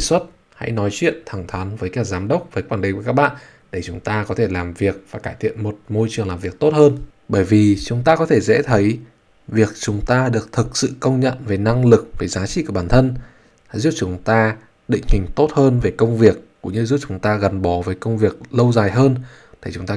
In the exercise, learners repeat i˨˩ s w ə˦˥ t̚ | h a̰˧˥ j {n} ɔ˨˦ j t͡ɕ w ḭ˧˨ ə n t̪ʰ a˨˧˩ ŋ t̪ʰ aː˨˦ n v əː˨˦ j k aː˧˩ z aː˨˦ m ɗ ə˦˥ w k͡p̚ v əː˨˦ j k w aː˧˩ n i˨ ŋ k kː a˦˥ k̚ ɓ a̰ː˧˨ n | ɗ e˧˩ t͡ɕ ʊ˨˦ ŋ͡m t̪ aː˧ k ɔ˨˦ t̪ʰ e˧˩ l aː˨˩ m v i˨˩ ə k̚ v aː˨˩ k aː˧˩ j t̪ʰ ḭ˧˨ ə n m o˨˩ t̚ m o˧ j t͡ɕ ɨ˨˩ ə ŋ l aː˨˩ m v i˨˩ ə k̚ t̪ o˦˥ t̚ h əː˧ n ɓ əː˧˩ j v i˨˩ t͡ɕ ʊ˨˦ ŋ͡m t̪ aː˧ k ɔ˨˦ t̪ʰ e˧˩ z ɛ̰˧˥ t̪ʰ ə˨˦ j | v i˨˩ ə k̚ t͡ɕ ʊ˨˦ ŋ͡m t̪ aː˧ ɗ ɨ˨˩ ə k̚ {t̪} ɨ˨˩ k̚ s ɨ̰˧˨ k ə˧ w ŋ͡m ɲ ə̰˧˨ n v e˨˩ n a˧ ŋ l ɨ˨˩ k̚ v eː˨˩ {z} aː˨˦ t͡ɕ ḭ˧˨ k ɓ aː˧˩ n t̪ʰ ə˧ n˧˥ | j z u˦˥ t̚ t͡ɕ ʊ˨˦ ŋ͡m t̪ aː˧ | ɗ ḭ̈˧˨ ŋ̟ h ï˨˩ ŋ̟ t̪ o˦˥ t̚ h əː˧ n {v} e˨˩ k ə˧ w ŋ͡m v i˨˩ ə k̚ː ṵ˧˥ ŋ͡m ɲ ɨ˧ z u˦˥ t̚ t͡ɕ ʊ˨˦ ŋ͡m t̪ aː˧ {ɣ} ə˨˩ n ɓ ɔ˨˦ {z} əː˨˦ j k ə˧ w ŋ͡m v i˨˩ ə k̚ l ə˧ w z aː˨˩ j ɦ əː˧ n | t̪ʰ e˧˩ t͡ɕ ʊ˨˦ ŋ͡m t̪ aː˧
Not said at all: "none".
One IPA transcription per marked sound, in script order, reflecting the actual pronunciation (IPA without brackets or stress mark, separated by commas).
n, t̪ʰ, z, v, ɣ, v